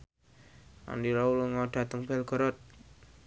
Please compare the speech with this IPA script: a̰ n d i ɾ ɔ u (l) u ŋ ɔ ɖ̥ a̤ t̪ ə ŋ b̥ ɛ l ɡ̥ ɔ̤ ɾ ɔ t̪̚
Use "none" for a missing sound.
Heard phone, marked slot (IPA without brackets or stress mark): l